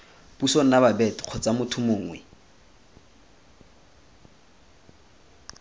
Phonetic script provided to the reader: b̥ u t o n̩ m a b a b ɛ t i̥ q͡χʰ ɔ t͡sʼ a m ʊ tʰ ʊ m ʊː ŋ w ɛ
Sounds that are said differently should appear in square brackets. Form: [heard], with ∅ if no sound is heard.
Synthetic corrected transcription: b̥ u [s] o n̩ [n] a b a b ɛ t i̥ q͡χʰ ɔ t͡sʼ a m ʊ tʰ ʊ m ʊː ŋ w ɛ